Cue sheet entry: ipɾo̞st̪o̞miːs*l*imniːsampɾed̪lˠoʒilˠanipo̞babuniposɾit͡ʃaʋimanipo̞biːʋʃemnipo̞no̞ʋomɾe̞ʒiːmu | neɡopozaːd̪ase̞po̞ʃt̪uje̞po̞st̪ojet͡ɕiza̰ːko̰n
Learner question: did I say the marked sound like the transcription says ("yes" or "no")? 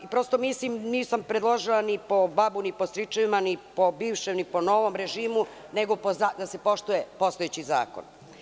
yes